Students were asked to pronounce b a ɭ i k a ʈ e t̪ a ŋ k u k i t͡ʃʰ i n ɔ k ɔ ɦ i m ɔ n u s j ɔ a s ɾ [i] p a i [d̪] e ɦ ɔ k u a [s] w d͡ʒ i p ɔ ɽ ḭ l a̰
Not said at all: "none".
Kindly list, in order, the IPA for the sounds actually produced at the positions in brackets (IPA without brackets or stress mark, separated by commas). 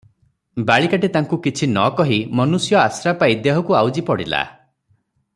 a, d̪, none